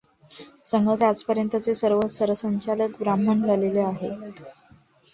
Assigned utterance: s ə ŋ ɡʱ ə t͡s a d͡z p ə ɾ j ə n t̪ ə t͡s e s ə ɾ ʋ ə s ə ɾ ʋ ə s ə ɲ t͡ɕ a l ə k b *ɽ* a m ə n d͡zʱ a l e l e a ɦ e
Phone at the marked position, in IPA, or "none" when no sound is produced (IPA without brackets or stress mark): ɾ